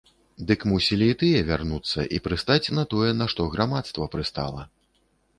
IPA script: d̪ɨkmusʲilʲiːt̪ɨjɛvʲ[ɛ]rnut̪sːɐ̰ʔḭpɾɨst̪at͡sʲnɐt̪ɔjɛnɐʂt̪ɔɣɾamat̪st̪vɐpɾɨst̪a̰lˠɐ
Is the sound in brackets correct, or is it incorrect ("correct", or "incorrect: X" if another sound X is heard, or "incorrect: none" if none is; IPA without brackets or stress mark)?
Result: incorrect: a